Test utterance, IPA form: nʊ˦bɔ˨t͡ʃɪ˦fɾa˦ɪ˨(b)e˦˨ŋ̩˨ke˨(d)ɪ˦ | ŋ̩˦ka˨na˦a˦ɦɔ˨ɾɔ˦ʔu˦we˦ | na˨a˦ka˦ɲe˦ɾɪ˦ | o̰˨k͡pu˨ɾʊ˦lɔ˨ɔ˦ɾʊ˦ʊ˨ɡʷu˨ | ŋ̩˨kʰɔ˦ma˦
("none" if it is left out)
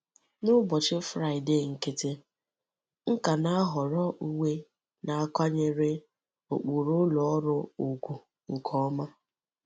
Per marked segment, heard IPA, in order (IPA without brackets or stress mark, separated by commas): d, t